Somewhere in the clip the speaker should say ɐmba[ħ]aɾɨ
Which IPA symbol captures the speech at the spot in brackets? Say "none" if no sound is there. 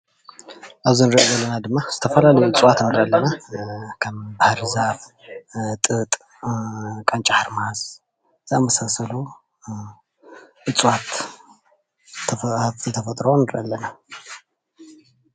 h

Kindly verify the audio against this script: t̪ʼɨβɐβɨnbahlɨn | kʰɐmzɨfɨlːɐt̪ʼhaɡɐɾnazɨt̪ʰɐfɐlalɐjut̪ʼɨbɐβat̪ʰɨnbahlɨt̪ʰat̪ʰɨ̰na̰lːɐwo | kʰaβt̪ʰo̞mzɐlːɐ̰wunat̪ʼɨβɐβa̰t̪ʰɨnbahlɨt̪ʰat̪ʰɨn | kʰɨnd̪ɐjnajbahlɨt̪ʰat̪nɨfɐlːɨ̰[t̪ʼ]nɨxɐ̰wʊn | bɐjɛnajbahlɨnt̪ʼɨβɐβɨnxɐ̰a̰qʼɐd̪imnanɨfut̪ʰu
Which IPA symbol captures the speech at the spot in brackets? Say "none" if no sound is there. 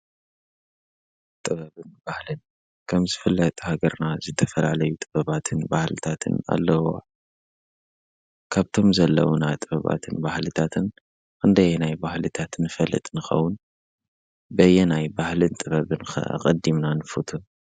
t̪ʼ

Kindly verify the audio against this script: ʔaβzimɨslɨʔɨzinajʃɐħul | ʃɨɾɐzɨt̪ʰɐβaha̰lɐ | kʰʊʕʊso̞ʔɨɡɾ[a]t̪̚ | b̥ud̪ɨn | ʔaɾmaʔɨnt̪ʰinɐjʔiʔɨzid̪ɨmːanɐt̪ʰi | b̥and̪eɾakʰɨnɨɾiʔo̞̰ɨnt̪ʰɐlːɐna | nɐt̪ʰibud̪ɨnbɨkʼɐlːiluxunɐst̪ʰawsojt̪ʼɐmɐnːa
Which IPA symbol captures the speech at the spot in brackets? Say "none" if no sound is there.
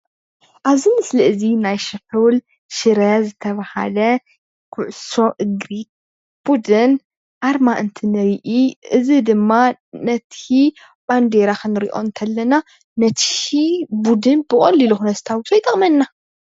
i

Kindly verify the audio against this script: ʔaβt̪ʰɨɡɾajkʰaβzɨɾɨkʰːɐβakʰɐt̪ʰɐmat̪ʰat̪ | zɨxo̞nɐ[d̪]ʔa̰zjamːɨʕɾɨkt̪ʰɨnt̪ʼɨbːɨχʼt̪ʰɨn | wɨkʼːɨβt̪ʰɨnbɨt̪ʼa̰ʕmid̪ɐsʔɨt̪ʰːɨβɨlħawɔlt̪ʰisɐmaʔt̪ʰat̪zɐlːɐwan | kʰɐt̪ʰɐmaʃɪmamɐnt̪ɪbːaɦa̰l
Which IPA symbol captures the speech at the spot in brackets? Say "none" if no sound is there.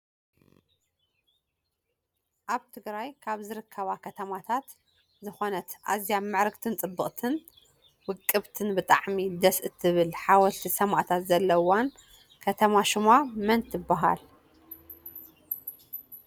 t̪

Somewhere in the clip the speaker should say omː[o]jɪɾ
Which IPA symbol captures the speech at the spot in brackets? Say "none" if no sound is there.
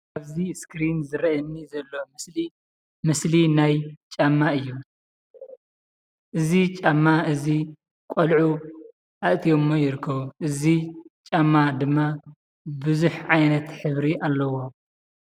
o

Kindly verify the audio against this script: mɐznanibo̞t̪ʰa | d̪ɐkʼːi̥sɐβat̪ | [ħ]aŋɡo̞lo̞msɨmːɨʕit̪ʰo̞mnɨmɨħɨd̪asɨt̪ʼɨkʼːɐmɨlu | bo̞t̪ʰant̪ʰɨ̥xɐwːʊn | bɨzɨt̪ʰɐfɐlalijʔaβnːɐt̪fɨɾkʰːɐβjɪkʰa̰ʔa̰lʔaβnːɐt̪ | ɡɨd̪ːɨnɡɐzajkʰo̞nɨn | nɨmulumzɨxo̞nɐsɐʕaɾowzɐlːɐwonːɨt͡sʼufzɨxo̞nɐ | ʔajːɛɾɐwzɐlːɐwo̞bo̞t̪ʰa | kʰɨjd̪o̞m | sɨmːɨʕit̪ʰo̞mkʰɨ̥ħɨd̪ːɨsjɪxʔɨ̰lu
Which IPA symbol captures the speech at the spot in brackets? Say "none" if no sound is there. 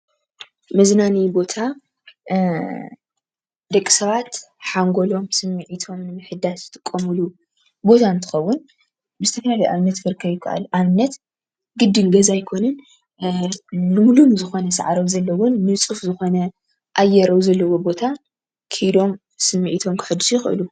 ħ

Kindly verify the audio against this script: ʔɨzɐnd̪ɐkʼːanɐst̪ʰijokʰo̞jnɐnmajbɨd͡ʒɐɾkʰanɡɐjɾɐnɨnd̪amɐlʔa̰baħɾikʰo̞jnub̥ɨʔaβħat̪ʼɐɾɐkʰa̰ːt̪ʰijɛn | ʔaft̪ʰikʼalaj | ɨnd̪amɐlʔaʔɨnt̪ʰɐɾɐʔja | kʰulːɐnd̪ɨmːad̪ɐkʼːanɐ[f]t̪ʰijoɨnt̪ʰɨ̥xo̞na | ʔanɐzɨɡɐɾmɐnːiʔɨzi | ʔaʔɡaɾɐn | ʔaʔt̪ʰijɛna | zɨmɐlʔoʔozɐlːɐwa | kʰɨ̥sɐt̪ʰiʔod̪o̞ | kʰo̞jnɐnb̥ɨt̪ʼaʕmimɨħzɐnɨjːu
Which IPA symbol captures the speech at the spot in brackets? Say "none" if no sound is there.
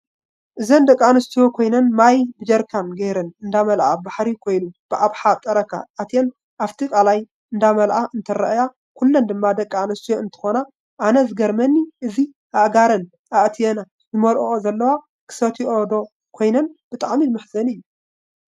s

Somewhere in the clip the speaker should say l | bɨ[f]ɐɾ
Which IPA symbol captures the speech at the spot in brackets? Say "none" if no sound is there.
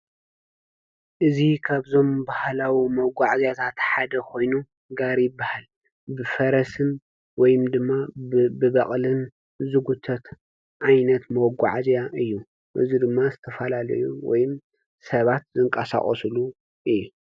f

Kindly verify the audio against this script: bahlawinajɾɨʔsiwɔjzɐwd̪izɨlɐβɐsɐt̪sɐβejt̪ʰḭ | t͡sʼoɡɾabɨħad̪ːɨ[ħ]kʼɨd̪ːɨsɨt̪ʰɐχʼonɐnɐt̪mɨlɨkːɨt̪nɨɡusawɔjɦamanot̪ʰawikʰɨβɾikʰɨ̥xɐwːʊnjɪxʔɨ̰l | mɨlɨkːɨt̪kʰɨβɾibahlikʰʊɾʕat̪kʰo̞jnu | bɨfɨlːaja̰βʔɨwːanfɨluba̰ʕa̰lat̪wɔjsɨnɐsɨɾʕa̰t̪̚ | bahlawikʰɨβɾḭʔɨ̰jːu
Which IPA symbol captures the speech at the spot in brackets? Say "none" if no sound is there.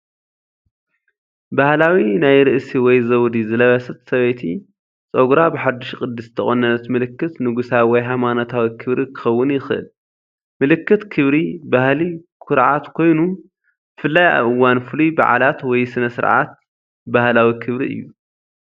ʃ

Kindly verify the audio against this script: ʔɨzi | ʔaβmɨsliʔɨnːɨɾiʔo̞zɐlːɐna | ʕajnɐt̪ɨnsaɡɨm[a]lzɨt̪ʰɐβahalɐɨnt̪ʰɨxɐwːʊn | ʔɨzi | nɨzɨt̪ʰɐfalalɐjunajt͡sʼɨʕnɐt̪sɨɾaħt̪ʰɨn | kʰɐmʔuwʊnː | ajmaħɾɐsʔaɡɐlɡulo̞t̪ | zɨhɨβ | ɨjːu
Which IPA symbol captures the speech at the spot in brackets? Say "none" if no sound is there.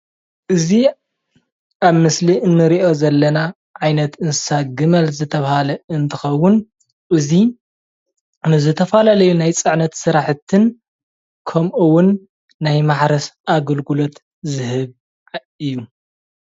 ɐ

